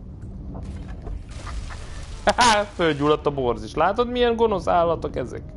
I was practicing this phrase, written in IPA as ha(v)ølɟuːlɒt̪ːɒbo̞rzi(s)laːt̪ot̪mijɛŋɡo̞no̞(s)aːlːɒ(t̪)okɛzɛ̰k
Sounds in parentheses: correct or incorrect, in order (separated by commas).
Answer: incorrect, incorrect, correct, correct